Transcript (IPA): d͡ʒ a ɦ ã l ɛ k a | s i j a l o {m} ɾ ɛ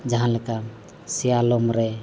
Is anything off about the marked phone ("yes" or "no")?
no